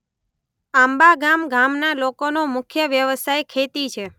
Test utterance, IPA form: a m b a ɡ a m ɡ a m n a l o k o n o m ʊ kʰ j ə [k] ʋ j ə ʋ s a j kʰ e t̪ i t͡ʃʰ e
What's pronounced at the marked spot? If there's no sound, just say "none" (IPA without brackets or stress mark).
none